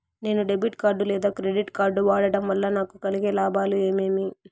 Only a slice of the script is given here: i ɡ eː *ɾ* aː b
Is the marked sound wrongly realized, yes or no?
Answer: yes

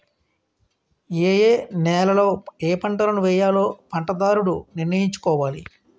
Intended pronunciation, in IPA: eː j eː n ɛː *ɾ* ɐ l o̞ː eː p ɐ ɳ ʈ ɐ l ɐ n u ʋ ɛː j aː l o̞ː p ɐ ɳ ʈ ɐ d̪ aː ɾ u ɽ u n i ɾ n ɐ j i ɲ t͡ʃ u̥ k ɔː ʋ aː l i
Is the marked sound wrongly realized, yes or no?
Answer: yes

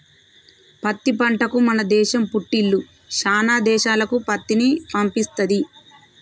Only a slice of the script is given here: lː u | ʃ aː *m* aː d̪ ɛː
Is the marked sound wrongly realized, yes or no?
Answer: yes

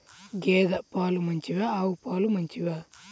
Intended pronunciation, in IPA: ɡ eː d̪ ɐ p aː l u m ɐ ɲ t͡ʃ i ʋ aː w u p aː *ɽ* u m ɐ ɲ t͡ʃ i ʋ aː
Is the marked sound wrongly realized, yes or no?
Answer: yes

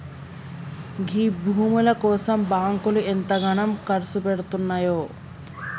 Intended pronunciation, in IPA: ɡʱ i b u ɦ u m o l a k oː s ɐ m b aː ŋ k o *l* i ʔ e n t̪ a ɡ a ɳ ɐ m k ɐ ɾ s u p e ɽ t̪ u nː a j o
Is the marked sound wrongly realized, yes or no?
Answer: no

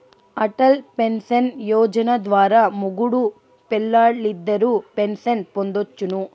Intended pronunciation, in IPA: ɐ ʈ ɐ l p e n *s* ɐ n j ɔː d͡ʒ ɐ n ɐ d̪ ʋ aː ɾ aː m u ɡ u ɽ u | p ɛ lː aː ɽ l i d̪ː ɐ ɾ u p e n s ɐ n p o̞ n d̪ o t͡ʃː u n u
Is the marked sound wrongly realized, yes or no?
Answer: no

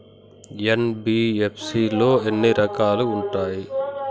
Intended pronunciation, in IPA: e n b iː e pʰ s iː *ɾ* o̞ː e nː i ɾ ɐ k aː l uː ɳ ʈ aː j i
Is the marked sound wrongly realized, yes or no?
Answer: yes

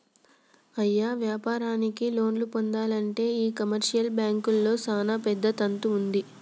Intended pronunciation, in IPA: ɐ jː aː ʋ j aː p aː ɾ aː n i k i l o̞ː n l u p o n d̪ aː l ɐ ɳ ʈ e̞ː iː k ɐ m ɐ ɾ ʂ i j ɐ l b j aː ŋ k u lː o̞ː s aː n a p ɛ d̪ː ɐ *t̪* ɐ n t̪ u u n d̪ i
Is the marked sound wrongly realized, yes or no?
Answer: no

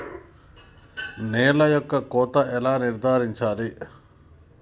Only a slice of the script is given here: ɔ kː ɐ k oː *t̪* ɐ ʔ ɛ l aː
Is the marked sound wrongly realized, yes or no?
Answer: no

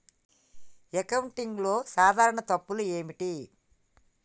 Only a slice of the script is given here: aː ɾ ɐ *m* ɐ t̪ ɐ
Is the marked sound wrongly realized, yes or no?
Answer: yes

